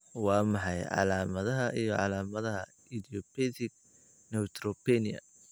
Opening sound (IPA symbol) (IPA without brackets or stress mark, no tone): w